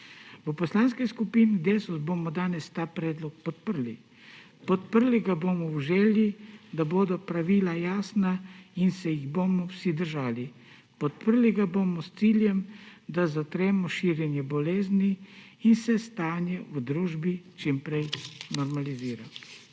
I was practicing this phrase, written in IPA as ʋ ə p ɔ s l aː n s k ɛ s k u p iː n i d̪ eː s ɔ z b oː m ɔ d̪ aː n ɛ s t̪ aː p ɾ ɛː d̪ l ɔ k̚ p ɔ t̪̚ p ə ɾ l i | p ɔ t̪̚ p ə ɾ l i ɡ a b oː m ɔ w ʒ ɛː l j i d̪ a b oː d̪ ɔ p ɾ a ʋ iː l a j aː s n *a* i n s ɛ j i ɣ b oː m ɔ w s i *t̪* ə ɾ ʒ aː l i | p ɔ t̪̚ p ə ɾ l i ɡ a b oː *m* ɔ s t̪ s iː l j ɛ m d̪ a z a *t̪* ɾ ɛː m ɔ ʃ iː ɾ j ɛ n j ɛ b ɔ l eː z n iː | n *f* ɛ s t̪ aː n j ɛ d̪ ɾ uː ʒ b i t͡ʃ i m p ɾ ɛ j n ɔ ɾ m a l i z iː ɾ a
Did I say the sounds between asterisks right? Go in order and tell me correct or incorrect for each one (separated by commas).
correct, incorrect, correct, correct, incorrect